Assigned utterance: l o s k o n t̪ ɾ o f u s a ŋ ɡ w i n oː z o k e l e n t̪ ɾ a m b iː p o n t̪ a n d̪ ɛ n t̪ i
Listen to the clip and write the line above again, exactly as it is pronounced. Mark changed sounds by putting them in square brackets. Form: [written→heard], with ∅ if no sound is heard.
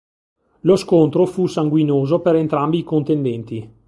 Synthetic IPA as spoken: l o s k o n t̪ ɾ o f u s a ŋ ɡ w i n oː z o [k→p] e [l→ɾ] e n t̪ ɾ a m b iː [p→k] o n t̪ [a→e] n d̪ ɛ n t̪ i